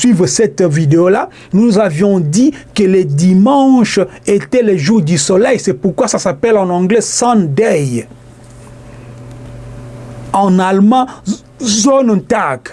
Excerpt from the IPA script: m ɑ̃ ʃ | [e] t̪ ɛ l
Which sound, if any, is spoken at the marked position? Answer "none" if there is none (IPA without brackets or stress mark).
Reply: e